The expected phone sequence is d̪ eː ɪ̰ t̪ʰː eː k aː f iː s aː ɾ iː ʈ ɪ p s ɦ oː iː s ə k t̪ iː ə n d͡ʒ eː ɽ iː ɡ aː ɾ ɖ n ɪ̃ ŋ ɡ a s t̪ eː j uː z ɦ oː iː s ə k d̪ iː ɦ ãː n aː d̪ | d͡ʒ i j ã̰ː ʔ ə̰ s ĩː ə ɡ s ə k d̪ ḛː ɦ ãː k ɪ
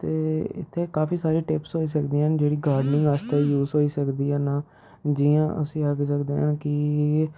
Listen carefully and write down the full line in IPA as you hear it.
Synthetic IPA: t̪ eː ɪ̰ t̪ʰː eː k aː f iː s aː ɾ iː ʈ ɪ p s ɦ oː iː s ə k d̪ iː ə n d͡ʒ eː ɽ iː ɡ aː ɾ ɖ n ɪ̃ ŋ ɡ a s t̪ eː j uː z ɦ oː iː s ə k d̪ iː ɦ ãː n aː | d͡ʒ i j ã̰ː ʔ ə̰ s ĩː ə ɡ s ə k d̪ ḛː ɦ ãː k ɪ